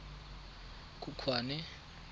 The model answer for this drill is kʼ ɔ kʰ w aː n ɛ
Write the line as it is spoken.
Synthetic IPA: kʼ u kʰ w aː n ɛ